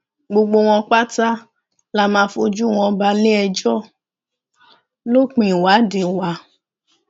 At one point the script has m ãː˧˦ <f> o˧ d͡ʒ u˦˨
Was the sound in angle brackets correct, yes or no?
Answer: yes